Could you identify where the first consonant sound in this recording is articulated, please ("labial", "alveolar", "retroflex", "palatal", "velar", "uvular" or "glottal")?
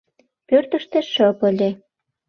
labial